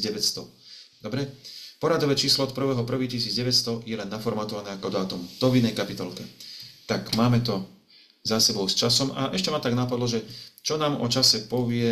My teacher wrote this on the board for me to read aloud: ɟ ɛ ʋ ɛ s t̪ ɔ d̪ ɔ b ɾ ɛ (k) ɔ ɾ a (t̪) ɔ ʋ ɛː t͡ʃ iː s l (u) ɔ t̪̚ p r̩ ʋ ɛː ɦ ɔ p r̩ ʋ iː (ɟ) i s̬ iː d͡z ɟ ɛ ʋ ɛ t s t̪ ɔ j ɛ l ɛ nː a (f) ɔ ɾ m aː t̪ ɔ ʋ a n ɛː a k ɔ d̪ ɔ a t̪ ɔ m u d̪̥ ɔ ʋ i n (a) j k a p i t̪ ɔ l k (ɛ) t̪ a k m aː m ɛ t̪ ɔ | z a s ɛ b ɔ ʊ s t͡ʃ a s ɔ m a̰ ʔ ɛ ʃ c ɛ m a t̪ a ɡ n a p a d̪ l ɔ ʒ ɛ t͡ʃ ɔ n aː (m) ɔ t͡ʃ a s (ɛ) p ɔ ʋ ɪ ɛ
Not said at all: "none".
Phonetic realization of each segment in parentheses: p, d̪, ɔ, c, f, ɛ, ɛ, m, ɛ

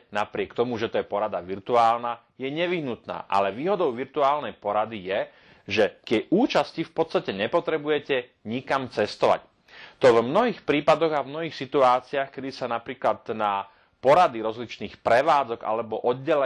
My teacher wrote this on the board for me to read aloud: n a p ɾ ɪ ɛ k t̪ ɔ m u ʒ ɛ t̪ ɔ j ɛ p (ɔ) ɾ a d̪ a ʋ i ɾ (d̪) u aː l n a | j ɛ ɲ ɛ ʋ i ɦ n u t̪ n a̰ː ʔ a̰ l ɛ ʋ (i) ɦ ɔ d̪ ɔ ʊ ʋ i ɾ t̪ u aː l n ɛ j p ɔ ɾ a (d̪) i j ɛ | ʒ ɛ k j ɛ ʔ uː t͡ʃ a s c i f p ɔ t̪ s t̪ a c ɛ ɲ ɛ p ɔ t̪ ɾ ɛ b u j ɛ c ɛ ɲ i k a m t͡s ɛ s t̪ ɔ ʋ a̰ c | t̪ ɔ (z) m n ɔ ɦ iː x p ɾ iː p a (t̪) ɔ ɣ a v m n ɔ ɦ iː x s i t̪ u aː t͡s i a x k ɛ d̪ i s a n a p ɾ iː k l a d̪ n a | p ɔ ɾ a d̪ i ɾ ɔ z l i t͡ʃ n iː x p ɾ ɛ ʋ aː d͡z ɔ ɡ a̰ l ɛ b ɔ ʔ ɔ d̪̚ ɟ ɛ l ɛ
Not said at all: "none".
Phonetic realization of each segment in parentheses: ɔ, t̪, iː, d̪, v, d̪

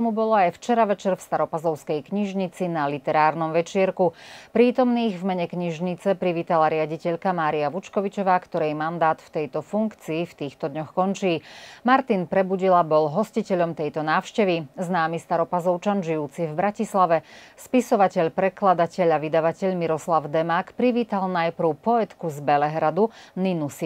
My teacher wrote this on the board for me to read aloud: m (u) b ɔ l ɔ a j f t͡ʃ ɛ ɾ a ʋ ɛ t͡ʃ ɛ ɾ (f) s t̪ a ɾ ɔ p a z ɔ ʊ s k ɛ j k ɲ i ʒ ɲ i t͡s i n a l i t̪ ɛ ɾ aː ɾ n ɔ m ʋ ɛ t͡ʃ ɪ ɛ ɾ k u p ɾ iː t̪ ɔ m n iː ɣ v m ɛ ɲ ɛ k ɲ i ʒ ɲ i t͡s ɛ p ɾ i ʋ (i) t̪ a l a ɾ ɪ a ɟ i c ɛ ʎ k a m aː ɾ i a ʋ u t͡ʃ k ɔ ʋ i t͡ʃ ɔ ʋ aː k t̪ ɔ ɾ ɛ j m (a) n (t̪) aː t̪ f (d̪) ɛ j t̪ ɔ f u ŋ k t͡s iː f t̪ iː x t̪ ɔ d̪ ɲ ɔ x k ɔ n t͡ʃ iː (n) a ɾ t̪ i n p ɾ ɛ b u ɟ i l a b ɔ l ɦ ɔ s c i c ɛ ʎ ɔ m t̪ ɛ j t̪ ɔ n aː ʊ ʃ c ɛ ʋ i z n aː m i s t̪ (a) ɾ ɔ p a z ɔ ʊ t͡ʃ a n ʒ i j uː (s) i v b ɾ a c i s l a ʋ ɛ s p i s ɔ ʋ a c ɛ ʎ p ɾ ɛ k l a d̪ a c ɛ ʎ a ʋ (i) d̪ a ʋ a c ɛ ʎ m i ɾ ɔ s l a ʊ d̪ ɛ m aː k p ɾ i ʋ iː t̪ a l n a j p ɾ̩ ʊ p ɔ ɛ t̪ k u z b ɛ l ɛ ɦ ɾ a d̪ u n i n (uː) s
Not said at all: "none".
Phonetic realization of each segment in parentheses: u, f, iː, a, d̪, t̪, m, a, t͡s, i, u

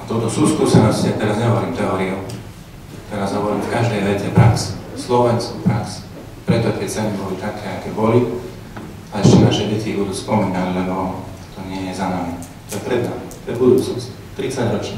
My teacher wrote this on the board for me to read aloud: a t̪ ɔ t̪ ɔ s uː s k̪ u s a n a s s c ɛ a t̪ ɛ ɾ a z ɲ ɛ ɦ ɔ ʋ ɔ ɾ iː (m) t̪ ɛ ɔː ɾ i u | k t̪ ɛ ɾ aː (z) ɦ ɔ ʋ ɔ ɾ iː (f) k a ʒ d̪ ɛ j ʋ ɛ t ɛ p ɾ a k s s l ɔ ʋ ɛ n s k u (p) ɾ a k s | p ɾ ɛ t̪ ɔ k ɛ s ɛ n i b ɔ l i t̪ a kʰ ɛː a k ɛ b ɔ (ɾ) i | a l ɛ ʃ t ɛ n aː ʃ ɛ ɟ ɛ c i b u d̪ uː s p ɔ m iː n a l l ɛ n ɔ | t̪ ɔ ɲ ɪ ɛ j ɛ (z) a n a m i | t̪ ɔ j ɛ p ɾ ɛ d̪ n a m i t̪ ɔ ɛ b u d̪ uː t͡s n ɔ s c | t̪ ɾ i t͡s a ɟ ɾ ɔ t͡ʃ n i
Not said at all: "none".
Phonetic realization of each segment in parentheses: m, z, f, p, l, z

